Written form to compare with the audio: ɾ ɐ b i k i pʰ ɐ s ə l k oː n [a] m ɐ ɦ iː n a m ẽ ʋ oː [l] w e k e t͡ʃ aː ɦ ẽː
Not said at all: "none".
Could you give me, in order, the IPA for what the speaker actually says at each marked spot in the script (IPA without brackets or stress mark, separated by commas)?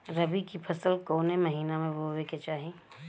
e, none